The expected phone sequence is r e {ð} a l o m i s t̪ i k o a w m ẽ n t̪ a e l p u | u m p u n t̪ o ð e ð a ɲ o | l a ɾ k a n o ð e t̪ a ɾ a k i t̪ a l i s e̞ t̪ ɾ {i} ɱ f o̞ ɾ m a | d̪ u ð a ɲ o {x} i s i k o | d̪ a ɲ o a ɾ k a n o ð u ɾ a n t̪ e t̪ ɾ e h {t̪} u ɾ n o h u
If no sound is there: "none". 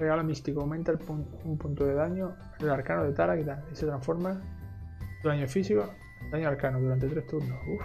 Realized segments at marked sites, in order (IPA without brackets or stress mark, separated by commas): ɣ, a, f, t̪